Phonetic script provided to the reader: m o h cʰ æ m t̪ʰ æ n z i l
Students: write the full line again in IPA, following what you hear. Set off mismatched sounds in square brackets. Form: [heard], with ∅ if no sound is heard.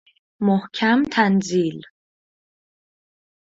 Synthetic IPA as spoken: m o h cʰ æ m t̪ʰ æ n z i l